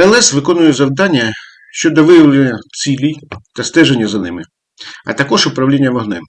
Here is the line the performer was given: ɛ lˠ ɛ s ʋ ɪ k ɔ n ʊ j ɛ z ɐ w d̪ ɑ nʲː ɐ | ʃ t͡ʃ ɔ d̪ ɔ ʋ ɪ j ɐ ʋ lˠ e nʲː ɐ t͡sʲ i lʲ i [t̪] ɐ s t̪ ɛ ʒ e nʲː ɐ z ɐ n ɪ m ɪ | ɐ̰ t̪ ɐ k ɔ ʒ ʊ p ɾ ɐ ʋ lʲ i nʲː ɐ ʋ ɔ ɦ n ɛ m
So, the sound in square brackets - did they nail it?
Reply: yes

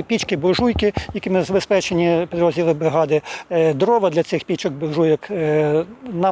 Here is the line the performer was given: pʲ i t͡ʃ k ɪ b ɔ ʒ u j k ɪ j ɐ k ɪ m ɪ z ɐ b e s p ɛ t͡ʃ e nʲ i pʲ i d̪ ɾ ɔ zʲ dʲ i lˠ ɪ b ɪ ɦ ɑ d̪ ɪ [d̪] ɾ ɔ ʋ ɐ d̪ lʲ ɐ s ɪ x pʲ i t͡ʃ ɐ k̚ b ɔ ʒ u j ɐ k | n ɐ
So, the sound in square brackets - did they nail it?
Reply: yes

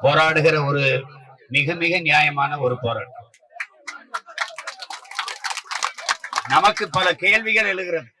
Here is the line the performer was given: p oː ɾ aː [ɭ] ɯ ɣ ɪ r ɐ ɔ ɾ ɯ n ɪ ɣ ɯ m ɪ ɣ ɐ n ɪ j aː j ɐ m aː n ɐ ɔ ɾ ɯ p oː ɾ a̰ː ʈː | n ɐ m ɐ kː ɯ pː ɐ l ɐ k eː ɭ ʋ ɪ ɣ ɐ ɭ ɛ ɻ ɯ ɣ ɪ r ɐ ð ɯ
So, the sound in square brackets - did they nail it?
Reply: no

